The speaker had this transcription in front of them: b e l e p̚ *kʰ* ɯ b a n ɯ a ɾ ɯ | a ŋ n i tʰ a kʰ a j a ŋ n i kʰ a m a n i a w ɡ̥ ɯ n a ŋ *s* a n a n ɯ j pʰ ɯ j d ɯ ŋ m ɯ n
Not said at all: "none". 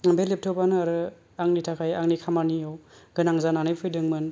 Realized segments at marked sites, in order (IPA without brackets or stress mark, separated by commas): tʰ, z